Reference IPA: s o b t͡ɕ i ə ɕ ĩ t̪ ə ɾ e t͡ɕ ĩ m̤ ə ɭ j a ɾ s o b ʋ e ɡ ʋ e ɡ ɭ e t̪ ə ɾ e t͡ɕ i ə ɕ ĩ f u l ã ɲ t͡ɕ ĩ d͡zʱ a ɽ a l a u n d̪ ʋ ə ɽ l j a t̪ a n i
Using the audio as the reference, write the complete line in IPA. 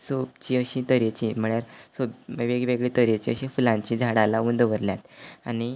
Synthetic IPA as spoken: s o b t͡ɕ i ə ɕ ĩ t̪ ə ɾ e t͡ɕ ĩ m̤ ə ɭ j a ɾ s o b ʋ e ɡ ʋ e ɡ ɭ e t̪ ə ɾ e t͡ɕ i ə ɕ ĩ f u l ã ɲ t͡ɕ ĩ d͡zʱ a ɽ a l a u n d̪ ʋ ə ɾ l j a t̪ a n i